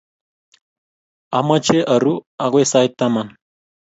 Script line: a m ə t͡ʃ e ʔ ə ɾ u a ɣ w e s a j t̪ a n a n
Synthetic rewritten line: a m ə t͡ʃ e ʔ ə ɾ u a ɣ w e s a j t̪ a m a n